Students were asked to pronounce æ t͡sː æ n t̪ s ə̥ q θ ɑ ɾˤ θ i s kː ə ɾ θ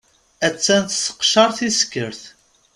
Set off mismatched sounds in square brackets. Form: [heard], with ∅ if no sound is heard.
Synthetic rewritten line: æ t͡sː æ n t̪ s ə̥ q [ʃ] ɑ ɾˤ θ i s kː ə ɾ θ